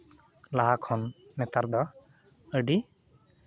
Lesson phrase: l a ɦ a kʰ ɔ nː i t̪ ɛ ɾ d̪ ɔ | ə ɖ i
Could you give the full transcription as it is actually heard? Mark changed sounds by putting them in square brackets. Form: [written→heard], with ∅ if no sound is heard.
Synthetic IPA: l a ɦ a kʰ ɔ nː [i→ɛ] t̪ [ɛ→a] ɾ d̪ ɔ | ə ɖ i